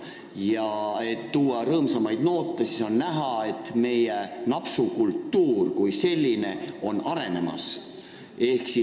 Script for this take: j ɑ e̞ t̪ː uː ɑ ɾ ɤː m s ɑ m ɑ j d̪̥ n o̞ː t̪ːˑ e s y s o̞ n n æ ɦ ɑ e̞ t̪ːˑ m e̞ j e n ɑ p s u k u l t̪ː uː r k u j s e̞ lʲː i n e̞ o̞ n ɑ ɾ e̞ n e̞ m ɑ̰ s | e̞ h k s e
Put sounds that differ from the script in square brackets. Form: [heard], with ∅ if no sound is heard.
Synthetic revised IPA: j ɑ e̞ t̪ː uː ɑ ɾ ɤː m s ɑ m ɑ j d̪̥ n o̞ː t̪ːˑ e s [i] s o̞ n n æ ɦ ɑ e̞ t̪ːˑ m e̞ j e n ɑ p s u k u l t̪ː uː r k u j s e̞ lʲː i n e̞ o̞ n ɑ ɾ e̞ n e̞ m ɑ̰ s | e̞ h k s [i]